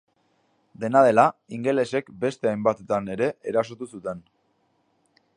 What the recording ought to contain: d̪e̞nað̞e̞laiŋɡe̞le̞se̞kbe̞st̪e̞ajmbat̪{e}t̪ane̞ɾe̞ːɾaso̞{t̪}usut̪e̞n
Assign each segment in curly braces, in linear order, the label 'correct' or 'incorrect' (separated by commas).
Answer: correct, correct